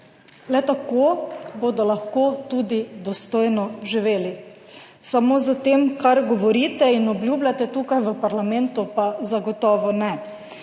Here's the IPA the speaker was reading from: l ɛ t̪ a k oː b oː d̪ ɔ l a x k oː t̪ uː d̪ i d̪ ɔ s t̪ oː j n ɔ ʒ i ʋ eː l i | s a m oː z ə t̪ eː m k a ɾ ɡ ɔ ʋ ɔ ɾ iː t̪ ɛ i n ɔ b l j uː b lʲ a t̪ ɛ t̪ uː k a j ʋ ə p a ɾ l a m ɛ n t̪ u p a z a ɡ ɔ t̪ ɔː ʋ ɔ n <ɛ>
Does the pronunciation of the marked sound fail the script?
no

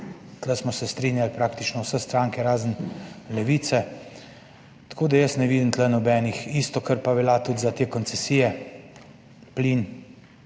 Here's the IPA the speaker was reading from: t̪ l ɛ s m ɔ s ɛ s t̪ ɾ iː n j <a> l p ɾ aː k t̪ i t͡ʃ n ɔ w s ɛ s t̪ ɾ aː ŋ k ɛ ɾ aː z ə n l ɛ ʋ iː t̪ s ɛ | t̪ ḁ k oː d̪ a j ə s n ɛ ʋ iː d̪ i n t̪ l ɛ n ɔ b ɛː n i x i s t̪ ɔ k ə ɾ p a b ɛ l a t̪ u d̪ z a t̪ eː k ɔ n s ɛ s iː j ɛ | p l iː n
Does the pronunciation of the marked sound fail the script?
no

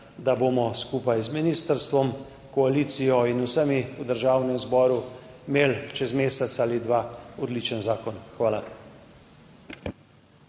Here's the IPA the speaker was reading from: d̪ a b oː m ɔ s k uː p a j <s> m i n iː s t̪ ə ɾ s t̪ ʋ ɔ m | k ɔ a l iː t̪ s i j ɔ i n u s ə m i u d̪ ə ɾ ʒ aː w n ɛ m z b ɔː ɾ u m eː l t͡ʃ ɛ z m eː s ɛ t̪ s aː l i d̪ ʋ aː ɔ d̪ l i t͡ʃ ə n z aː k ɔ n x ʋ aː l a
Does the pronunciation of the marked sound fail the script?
yes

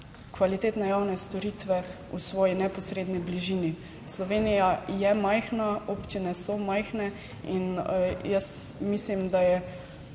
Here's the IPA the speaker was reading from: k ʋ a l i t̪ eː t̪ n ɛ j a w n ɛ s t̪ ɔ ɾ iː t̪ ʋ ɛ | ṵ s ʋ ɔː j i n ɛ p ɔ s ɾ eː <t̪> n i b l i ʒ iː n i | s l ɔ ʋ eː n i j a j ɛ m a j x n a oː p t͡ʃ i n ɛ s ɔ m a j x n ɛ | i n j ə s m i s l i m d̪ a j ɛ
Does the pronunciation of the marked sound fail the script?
yes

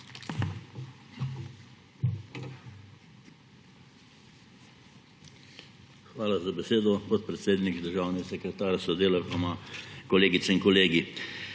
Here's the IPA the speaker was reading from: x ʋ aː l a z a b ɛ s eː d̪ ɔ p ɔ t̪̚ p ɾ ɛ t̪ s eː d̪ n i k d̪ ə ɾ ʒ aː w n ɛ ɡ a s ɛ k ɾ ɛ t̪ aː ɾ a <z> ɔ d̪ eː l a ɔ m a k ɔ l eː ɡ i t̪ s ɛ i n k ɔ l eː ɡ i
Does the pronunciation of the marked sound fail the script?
yes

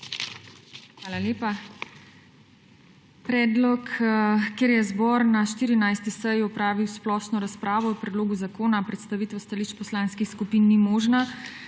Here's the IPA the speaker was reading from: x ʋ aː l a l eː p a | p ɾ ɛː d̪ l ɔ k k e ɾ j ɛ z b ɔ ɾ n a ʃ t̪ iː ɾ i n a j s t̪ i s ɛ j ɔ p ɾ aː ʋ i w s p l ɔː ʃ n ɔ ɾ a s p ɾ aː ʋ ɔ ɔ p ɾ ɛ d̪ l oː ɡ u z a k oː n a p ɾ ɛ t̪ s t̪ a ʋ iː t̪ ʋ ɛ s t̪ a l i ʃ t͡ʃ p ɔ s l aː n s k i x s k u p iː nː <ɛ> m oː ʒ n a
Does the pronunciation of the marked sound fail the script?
yes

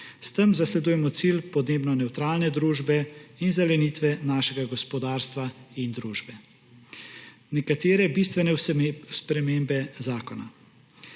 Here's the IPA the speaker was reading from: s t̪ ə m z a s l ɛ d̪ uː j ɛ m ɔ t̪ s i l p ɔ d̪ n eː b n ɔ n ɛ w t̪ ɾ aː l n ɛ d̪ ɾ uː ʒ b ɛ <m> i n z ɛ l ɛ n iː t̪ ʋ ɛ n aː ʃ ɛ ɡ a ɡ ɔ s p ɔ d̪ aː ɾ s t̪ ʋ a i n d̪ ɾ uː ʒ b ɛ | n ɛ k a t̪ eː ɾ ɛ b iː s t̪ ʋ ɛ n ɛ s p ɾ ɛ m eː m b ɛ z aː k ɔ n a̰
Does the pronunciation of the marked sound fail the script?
yes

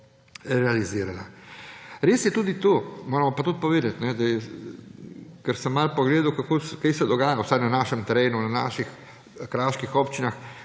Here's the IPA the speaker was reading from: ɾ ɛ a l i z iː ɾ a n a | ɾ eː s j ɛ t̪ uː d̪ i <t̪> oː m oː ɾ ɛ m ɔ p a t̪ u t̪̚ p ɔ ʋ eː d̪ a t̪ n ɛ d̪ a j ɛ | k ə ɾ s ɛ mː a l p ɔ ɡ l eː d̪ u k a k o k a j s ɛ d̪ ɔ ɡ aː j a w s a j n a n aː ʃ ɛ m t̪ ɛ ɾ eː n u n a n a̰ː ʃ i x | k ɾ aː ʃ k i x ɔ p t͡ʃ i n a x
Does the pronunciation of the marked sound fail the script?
no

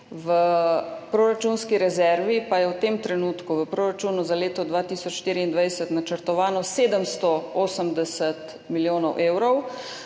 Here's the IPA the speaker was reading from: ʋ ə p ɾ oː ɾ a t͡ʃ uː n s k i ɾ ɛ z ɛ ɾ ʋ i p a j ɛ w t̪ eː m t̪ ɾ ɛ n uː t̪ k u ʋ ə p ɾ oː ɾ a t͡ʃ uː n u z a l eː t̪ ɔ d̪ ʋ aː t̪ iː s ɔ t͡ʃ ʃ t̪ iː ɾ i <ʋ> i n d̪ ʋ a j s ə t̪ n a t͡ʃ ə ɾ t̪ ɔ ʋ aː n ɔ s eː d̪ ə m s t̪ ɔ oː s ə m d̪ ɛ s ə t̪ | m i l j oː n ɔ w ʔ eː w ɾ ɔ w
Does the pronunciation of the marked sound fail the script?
yes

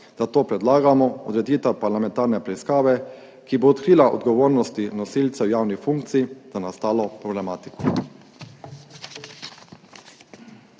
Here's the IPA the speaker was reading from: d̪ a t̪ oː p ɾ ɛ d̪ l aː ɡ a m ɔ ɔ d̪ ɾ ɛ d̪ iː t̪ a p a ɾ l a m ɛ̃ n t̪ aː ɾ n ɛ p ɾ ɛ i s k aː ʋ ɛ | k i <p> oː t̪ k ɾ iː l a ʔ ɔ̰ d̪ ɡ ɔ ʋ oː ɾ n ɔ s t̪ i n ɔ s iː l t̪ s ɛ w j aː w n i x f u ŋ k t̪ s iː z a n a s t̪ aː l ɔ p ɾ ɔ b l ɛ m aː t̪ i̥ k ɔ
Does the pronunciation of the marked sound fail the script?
yes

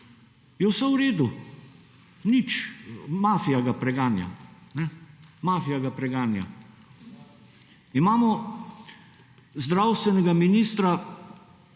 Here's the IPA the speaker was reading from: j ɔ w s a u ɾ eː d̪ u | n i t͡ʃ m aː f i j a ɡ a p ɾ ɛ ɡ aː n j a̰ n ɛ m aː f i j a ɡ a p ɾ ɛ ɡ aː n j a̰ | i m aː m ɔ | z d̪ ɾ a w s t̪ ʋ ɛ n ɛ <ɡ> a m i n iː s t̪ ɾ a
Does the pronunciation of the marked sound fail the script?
no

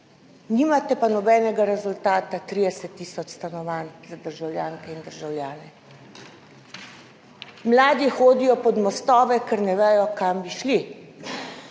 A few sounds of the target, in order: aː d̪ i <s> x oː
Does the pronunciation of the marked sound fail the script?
yes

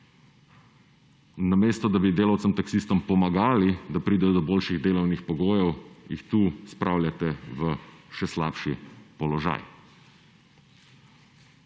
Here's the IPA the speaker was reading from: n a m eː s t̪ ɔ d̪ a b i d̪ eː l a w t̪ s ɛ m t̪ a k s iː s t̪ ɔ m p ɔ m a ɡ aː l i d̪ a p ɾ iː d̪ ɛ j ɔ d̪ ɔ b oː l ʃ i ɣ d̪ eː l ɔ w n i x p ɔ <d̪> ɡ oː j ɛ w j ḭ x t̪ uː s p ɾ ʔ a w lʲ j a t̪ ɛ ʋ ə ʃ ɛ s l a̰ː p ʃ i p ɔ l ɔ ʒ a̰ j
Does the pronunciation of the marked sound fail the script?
yes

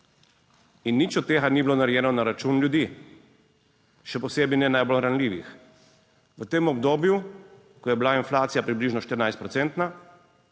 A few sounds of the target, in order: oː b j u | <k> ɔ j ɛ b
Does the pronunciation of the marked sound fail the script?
no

